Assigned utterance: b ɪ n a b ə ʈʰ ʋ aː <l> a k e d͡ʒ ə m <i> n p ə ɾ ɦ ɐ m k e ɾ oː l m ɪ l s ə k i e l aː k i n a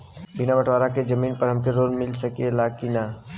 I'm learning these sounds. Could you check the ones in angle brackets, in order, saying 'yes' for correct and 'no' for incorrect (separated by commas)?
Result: no, no